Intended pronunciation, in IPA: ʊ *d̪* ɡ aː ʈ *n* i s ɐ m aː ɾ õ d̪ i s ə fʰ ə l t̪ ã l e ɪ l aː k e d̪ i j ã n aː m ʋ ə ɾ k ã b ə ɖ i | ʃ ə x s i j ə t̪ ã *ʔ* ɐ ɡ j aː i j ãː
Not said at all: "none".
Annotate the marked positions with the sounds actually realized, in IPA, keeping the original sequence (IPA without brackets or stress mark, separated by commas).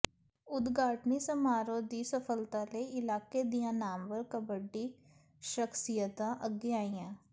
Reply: d̪, n, ʔ